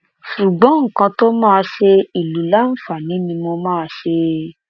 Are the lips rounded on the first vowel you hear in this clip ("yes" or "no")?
yes